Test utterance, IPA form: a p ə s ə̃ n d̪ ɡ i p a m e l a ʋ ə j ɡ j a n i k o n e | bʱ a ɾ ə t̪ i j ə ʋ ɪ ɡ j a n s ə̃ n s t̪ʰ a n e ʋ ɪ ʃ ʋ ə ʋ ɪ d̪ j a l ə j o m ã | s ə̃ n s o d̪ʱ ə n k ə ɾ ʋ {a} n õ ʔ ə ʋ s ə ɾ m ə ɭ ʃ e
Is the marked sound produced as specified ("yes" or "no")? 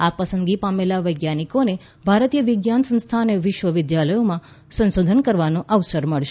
yes